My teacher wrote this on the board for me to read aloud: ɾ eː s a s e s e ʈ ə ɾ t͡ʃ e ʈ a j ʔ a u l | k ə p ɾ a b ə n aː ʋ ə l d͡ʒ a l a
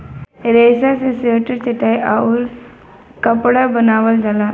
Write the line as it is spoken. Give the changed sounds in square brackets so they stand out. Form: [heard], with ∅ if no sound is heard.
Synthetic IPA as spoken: ɾ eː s a s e s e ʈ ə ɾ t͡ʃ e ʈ a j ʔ a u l | k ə p [ɽ] a b ə n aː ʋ ə l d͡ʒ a l a

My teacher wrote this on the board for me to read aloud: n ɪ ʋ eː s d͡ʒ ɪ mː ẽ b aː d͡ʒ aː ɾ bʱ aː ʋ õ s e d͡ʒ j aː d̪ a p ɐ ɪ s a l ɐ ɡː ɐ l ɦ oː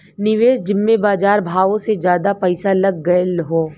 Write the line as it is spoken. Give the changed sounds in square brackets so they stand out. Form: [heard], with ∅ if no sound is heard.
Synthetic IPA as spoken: n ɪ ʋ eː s d͡ʒ ɪ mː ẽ b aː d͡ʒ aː ɾ bʱ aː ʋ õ s e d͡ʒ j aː d̪ a p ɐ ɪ s a l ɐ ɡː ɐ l ɦ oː

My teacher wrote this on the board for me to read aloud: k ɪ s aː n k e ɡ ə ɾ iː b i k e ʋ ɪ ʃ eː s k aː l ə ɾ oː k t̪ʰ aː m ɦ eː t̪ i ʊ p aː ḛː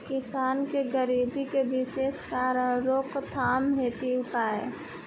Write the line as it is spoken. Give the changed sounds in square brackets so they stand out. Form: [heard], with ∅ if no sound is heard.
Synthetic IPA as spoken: k ɪ s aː n k e ɡ ə ɾ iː b i k e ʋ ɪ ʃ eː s k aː [ɾ] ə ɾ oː k t̪ʰ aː m ɦ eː t̪ i ʊ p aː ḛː

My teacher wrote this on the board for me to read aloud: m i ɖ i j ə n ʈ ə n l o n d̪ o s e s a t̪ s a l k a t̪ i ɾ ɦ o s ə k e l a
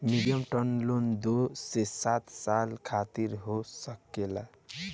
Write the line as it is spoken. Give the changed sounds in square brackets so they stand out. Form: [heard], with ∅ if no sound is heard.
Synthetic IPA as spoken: m i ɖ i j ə [m] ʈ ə n l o n d̪ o s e s a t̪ s a l [kʰ] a t̪ i ɾ ɦ o s ə k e l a

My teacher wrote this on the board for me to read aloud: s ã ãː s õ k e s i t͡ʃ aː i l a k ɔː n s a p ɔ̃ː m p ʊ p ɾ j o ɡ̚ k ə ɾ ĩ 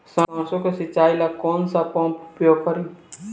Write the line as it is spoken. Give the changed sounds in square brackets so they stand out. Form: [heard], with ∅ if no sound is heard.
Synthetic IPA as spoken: s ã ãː s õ k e s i t͡ʃ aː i l a k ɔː n s a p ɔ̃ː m p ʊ p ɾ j o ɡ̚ k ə ɾ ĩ

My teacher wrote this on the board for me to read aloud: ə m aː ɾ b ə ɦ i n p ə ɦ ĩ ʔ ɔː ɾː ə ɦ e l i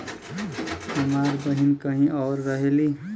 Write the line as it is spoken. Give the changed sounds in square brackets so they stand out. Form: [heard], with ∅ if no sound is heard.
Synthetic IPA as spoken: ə m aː ɾ b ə ɦ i n [k] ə ɦ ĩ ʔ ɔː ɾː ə ɦ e l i

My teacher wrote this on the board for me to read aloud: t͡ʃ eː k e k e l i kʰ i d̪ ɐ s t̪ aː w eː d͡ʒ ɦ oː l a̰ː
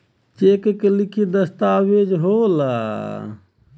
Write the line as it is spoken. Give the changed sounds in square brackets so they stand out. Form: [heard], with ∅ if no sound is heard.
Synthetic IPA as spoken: t͡ʃ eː k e k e l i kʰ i d̪ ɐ s t̪ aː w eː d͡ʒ ɦ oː l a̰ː

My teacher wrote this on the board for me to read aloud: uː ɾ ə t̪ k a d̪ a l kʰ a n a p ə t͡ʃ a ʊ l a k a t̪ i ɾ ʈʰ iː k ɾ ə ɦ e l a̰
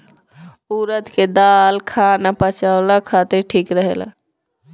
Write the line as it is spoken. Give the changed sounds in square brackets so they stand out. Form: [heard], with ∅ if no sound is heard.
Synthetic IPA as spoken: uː ɾ ə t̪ k [e] d̪ a l kʰ a n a p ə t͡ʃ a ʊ l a [kʰ] a t̪ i ɾ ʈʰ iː k ɾ ə ɦ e l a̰

